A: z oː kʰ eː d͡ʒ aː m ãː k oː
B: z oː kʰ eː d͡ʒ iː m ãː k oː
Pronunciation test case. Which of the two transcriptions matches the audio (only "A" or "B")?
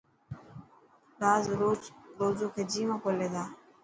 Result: B